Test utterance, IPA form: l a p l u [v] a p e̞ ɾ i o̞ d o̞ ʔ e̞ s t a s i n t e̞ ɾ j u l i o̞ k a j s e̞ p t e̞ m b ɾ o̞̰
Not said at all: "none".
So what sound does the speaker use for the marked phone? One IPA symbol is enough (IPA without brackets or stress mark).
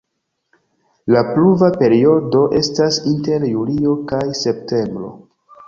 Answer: v